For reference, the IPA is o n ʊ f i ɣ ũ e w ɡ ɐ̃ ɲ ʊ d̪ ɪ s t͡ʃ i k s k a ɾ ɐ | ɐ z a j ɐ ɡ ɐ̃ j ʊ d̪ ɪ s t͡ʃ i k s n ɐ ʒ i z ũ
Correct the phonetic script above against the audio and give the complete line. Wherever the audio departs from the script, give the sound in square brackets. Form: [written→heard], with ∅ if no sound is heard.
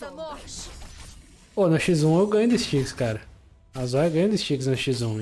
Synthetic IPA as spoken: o n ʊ [f→ʃ] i [ɣ→z] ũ e w ɡ ɐ̃ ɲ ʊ d̪ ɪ s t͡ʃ i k s k a ɾ ɐ | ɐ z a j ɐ ɡ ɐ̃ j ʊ d̪ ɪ s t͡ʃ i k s n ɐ [ʒ→ʃ] i z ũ